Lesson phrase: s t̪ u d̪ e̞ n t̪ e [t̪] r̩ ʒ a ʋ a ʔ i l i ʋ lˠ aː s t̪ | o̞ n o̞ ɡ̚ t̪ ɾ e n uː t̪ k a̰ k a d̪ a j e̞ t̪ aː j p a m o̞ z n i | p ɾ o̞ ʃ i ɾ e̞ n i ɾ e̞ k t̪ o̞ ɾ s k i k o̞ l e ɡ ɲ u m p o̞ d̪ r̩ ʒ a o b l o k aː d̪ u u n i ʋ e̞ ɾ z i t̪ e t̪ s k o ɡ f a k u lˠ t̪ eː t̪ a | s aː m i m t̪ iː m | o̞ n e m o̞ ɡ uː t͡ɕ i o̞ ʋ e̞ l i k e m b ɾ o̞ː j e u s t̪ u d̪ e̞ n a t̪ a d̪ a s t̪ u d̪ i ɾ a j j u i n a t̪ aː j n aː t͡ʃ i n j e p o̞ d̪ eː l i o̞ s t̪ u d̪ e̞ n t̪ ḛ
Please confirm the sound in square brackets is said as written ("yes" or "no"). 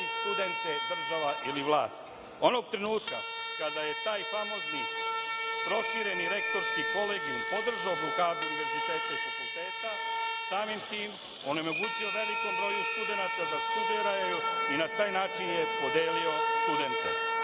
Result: no